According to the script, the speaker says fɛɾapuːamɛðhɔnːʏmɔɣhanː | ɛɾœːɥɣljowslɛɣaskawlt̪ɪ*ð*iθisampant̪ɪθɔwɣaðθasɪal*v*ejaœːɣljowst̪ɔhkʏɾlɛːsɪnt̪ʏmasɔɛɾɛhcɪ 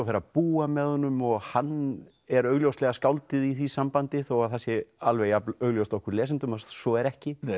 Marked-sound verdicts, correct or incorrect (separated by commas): correct, correct